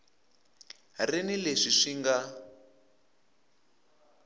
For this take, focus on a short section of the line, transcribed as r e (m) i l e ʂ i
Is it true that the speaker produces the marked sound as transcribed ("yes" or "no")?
no